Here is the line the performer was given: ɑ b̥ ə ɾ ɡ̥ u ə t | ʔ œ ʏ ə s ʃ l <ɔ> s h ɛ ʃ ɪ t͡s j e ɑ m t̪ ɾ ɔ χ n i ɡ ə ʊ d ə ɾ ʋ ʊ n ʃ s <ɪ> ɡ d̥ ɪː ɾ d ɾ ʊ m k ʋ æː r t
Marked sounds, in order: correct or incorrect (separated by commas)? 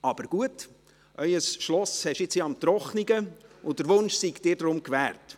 correct, incorrect